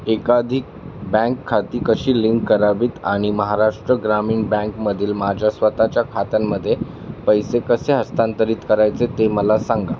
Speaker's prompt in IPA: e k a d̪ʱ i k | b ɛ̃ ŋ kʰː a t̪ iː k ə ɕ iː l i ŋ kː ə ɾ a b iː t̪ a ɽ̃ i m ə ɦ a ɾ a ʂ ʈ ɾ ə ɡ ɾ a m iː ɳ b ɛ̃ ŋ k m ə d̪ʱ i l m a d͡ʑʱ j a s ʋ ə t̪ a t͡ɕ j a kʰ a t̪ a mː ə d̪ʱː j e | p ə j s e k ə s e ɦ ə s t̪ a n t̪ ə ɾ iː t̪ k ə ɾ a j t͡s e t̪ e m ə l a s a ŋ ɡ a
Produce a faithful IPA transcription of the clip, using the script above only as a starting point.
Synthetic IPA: e k a d̪ʱ i k | b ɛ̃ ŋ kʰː a t̪ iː k ə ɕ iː l i ŋ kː ə ɾ a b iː t̪ a ɽ̃ i m ə ɦ a ɾ a ʂ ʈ ɾ ə ɡ ɾ a m iː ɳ b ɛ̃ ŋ k m ə d̪ʱ iː l m a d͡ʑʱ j a s ʋ ə t̪ a t͡ɕ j a kʰ a t̪ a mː ə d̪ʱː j e | p ə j s e k ə s e ɦ ə s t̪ a n t̪ ə ɾ iː t̪ k ə ɾ a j t͡s e t̪ e m ə l a s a ŋ ɡ a